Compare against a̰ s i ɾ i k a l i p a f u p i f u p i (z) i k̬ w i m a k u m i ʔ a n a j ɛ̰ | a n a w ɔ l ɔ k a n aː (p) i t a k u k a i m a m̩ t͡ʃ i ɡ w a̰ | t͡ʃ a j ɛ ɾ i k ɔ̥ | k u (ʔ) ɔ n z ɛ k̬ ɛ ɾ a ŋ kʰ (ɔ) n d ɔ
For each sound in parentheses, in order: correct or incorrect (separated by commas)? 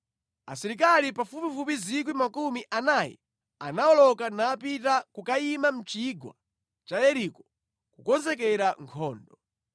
correct, correct, incorrect, incorrect